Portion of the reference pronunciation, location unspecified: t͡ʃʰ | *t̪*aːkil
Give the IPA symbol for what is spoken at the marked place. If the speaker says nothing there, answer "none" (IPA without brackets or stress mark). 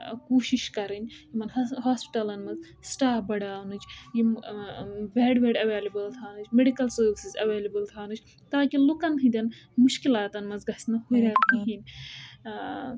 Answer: t̪